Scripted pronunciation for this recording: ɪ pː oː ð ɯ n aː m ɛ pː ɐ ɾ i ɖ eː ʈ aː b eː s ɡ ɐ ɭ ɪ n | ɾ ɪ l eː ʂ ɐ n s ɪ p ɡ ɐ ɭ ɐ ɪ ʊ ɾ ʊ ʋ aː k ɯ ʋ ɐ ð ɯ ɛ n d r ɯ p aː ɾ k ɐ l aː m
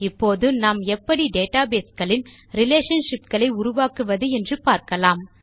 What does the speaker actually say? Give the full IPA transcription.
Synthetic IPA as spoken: ɪ pː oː ð ɯ n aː m ɛ pː ɐ ɽ i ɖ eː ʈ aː b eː s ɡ ɐ ɭ ɪ n | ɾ ɪ l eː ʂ ɐ n ʂ ɪ p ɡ ɐ ɭ ɐ ɪ ʊ ɾ ʊ ʋ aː k ɯ ʋ ɐ ð ɯ ɛ n d r ɯ p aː ɾ k ɐ l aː m